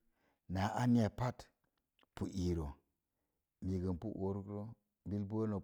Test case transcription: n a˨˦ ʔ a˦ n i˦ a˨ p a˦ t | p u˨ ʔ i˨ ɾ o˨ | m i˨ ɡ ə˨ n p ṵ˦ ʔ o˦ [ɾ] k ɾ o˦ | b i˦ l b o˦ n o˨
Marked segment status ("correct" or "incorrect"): correct